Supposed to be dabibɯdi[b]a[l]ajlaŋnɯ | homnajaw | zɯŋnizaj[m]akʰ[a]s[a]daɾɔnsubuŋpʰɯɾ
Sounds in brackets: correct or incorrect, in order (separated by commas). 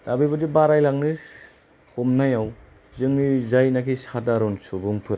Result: correct, incorrect, incorrect, incorrect, correct